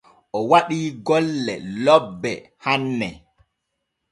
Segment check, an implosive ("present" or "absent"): present